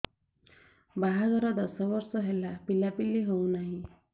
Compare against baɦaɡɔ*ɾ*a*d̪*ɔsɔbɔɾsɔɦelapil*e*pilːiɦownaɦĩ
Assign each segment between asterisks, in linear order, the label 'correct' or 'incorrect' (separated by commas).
correct, correct, incorrect